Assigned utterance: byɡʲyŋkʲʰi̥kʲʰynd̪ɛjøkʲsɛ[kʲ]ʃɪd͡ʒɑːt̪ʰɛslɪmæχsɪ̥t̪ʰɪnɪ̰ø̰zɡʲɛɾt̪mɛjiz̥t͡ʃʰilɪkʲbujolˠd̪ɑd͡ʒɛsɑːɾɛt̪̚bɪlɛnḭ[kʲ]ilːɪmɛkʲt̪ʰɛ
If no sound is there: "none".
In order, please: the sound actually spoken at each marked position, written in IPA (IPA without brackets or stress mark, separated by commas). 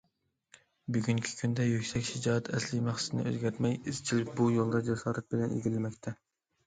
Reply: kʲ, ɡʲ